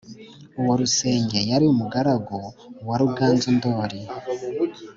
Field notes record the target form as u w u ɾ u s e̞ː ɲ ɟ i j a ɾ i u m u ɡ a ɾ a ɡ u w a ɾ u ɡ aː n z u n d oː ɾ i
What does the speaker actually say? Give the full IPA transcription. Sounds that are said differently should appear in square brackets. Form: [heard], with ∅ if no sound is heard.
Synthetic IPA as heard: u w [o] ɾ u s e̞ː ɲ ɟ [e] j a ɾ i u m u ɡ a ɾ a ɡ [o] w a ɾ u ɡ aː n z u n d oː ɾ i